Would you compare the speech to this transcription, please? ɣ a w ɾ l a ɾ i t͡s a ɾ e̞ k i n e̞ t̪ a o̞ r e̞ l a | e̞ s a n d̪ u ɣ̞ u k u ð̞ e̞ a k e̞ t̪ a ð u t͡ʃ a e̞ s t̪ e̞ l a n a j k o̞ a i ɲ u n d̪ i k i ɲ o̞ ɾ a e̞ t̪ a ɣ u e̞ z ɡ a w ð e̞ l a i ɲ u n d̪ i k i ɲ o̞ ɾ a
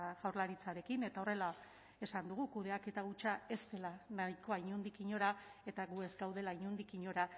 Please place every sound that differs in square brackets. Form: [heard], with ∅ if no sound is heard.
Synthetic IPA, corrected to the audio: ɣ a w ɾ l a ɾ i t͡s a ɾ e̞ k i n e̞ t̪ a o̞ r e̞ l a | e̞ s a n d̪ u ɣ̞ u k u ð̞ e̞ a k e̞ t̪ a [ɣ] u t͡ʃ a e̞ s t̪ e̞ l a n a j k o̞ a i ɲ u n d̪ i k i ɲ o̞ ɾ a e̞ t̪ a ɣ u e̞ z ɡ a w ð e̞ l a i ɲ u n d̪ i k i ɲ o̞ ɾ a